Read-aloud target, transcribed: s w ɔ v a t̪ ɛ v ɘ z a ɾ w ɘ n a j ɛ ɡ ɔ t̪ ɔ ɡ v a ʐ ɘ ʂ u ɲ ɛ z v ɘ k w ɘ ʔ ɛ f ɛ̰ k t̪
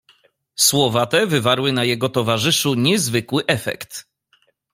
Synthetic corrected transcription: s w ɔ v a t̪ ɛ v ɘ v a ɾ w ɘ n a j ɛ ɡ ɔ t̪ ɔ v a ʐ ɘ ʂ u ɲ ɛ z v ɘ k w ɘ ʔ ɛ f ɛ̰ k t̪